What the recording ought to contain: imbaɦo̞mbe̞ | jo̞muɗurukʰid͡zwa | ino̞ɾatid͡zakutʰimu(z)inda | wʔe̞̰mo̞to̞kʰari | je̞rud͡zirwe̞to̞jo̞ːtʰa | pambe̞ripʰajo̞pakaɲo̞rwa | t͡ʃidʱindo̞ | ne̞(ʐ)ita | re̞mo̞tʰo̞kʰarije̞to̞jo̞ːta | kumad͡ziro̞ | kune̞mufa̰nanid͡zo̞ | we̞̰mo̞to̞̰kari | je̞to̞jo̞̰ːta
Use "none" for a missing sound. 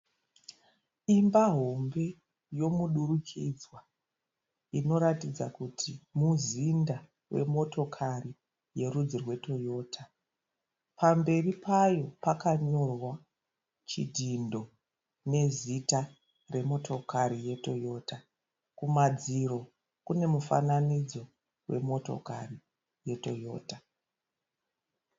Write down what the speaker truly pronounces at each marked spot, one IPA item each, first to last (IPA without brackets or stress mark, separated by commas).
z, z